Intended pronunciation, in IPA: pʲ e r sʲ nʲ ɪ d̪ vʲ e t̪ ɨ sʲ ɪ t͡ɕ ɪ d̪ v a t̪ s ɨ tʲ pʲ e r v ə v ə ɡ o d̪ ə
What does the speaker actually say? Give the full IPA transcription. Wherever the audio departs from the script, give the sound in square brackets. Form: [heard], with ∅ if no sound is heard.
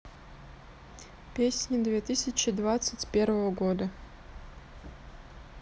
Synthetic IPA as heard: pʲ e [∅] sʲ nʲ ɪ d̪ vʲ e t̪ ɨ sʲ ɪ t͡ɕ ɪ d̪ v a t̪ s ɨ tʲ pʲ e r v ə v ə ɡ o d̪ ə